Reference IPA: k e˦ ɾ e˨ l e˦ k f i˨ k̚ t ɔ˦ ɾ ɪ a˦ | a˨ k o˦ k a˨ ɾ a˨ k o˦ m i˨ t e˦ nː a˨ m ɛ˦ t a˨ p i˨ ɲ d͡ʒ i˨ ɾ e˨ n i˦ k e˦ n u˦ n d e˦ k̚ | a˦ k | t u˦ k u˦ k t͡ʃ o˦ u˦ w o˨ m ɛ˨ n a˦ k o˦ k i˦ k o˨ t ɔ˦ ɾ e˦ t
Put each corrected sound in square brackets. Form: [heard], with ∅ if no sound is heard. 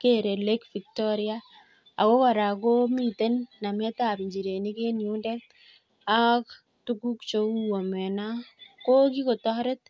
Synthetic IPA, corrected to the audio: k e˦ ɾ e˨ l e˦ k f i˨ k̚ t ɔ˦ ɾ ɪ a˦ | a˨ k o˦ k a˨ ɾ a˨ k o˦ m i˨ t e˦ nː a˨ m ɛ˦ t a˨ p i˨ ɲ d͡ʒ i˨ ɾ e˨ n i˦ k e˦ n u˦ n d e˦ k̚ | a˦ k | t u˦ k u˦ k t͡ʃ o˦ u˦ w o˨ m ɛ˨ n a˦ k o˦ k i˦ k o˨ t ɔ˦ ɾ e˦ t